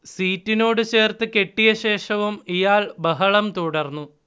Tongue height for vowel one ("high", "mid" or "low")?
high